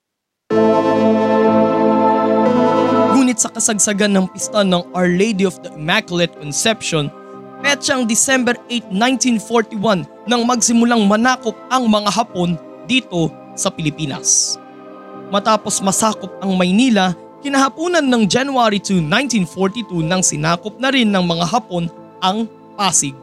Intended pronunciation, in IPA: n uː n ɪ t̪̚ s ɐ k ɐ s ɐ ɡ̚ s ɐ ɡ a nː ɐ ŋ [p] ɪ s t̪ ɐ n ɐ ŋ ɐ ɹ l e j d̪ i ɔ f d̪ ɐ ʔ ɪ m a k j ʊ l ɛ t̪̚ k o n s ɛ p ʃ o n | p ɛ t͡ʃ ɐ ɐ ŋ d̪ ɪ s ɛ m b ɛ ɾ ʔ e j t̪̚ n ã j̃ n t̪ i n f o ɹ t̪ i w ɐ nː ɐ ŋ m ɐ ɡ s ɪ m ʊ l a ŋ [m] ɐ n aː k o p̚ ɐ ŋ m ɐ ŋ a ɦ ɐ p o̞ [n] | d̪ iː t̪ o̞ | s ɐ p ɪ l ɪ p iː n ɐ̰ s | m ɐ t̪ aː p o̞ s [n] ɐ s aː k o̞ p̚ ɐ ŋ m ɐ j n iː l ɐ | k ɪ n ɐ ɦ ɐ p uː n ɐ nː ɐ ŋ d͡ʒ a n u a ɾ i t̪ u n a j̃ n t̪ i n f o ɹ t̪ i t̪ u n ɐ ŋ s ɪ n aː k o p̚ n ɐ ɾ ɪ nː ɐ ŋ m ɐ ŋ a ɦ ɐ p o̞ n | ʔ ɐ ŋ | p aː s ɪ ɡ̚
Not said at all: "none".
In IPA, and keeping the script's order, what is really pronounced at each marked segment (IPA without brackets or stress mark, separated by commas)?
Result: p, m, n, m